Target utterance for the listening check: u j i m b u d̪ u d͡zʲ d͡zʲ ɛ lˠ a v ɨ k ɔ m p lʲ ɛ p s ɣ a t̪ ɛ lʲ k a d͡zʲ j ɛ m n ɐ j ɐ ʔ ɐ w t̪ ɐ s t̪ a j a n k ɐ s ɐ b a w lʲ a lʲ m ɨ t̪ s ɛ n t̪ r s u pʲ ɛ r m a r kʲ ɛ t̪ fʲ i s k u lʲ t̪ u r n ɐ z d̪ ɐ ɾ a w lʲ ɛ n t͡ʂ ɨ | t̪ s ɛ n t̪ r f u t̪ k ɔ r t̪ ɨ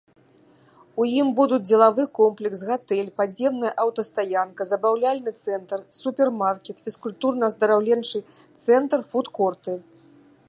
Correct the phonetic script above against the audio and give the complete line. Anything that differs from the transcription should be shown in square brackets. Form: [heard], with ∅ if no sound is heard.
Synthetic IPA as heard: u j i m b u d̪ u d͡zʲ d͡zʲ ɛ lˠ a v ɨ k ɔ m p lʲ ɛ [k] s ɣ a t̪ ɛ lʲ [p] a d͡zʲ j ɛ m n ɐ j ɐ ʔ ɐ w t̪ ɐ s t̪ a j a n k ɐ [z] ɐ b a w lʲ a lʲ [n] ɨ t̪ s ɛ n t̪ r s u pʲ ɛ r m a r kʲ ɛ t̪ fʲ i s k u lʲ t̪ u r n ɐ z d̪ ɐ ɾ a w lʲ ɛ n t͡ʂ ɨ | t̪ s ɛ n t̪ r f u t̪ k ɔ r t̪ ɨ